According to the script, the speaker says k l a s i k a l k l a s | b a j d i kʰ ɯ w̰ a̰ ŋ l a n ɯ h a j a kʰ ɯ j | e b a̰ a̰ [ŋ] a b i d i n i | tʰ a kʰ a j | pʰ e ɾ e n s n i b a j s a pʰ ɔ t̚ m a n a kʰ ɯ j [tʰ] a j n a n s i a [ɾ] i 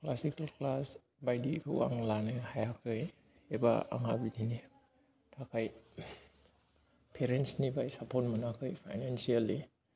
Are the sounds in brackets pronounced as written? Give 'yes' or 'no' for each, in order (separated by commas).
yes, no, no